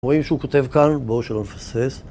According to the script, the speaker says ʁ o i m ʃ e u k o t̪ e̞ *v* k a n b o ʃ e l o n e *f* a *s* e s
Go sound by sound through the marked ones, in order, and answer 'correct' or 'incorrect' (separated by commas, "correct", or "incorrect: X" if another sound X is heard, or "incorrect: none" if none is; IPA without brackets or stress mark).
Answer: correct, correct, correct